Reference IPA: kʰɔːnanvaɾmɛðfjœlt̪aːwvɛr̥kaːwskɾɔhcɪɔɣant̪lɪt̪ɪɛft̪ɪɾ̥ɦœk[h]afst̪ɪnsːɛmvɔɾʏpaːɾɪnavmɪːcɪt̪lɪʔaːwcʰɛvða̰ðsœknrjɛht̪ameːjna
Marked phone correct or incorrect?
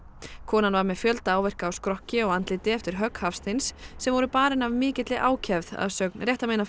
correct